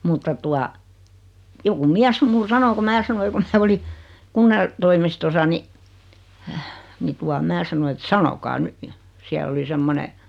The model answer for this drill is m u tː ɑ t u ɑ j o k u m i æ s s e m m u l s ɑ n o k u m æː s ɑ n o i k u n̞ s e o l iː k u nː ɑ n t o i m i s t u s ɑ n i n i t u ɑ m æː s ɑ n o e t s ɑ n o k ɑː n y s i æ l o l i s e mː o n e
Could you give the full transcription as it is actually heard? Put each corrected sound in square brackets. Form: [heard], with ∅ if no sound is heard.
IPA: m u tː ɑ t u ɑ j o k u m i æ s s e m m u l s ɑ n o k u m æː s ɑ n o i k u n̞ s e o l [i] k u nː ɑ n t o i m i s t [o] s ɑ n i n i t u ɑ m æː s ɑ n o e t s ɑ n o k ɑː n y s i æ l o l i s e mː o n e